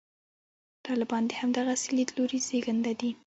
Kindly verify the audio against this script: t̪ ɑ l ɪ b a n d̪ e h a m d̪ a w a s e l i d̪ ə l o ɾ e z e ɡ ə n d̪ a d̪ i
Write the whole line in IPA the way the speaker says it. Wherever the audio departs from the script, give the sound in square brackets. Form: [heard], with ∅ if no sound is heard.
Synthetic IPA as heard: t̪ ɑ l ɪ b [ɑ] n d̪ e h a m d̪ a [ɣ] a s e l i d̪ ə l o ɾ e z e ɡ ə n d̪ a d̪ i